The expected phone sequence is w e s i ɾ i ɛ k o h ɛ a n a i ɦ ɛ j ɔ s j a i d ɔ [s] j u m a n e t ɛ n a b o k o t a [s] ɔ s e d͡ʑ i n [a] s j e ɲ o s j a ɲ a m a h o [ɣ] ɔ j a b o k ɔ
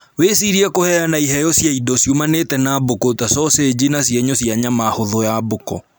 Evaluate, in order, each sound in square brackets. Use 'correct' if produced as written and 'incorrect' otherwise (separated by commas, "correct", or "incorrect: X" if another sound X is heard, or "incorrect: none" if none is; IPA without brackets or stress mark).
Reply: correct, correct, correct, incorrect: ð